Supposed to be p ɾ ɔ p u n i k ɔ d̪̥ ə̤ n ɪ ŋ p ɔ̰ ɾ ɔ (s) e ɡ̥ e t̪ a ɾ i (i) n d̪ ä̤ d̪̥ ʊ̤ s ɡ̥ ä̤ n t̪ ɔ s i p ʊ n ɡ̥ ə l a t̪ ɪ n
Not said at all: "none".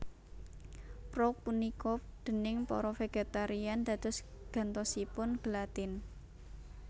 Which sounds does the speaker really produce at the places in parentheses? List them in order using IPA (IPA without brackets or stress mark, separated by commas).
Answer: f, a